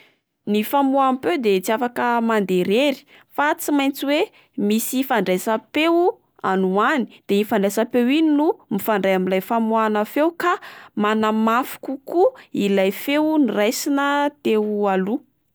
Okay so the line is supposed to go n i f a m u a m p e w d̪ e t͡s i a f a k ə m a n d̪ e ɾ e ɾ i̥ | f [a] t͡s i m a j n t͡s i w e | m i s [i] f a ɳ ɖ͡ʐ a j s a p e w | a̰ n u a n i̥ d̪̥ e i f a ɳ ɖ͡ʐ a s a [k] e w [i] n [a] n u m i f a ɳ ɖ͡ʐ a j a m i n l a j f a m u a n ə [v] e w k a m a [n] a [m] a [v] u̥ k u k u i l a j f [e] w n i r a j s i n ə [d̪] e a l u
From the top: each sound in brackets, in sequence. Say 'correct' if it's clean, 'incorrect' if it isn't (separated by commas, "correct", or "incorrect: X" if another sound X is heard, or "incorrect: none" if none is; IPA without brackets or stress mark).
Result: correct, correct, incorrect: p, correct, incorrect: i, incorrect: f, correct, correct, incorrect: f, correct, incorrect: t̪